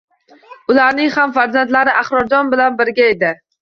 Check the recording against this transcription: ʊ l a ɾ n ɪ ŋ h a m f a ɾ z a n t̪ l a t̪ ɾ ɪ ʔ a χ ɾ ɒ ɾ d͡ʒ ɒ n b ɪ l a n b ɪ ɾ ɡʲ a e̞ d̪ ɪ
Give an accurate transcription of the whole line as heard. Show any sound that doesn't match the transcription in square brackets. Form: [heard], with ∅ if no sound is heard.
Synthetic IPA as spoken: ʊ l a ɾ n ɪ ŋ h a m f a ɾ z a n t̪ l a [∅] ɾ ɪ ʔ a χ ɾ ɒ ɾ d͡ʒ ɒ n b ɪ l a n b ɪ ɾ ɡʲ a e̞ d̪ ɪ